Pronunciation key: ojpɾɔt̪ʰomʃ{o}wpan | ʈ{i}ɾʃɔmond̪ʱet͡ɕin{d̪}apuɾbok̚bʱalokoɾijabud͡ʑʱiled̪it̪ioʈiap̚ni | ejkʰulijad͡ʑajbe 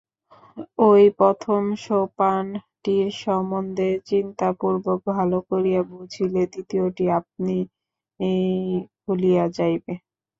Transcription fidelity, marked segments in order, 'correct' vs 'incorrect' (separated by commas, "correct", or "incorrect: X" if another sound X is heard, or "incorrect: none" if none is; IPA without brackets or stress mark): correct, correct, incorrect: t̪